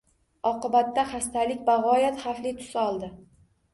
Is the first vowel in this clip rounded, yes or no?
yes